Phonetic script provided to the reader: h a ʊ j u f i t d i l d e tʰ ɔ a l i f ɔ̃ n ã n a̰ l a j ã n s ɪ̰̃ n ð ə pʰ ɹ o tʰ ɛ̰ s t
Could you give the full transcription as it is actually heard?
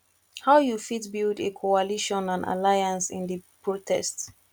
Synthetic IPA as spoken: h a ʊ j u f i t b i l d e kʰ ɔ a l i ʃ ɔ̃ n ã n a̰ l a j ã n s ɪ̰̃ n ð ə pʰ ɹ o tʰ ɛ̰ s t

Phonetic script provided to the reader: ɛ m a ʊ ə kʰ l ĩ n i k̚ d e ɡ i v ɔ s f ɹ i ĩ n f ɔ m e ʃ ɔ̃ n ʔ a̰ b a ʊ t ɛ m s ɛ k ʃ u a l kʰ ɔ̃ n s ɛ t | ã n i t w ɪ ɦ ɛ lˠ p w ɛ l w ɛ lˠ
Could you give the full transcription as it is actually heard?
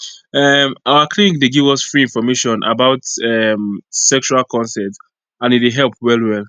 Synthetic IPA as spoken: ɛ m a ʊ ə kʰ l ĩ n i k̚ d e ɡ i v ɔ s f ɹ i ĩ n f ɔ m e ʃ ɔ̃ n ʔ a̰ b a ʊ t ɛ m s ɛ k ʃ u a l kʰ ɔ̃ n s ɛ t | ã n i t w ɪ ɦ ɛ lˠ p w ɛ l w ɛ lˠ

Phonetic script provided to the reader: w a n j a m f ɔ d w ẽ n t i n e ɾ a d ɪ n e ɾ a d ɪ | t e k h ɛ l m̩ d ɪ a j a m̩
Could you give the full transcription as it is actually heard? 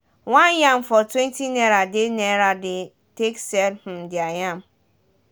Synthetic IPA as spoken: w a n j a m f ɔ t w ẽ n t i n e ɾ a d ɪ n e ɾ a d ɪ | t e k s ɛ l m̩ d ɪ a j a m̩

